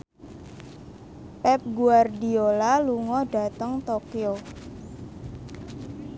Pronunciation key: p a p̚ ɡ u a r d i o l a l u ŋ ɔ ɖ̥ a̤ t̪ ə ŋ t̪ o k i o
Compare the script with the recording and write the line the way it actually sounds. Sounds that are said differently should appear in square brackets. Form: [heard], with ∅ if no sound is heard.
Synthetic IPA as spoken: p [ɛ] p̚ ɡ u a r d i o l a l u ŋ ɔ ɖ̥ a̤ t̪ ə ŋ t̪ o k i o